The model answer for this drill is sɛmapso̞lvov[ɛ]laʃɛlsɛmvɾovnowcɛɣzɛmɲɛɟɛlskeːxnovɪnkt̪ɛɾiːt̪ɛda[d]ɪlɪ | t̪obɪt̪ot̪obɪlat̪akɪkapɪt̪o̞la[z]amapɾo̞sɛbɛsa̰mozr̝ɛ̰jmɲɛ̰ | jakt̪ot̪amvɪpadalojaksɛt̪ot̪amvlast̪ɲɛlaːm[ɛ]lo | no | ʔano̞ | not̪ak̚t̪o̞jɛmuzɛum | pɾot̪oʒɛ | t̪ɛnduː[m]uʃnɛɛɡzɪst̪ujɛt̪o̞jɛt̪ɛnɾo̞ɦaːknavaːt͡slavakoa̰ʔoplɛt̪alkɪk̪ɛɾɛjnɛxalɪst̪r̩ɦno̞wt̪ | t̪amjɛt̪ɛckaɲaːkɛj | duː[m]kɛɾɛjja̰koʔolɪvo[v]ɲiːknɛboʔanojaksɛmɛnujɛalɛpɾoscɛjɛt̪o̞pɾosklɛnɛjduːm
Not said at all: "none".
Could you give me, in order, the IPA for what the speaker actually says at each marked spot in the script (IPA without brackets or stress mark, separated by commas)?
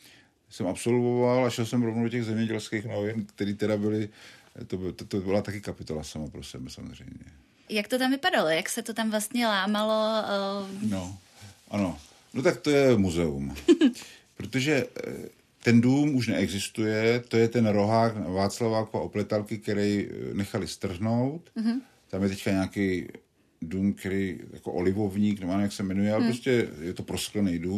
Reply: a, b, s, a, m, m, v